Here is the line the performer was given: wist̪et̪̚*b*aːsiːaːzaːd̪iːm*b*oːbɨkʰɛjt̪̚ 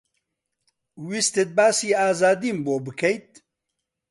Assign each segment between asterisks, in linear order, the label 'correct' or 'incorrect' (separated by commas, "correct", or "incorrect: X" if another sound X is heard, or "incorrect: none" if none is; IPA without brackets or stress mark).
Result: correct, correct